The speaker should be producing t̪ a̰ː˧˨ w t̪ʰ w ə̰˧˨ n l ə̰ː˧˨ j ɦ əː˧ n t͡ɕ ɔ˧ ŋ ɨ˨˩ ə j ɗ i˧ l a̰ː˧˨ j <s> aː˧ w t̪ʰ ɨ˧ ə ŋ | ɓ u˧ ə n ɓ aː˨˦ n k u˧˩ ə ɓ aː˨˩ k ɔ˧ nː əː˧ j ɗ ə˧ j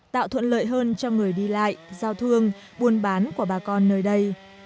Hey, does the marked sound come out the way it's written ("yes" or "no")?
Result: no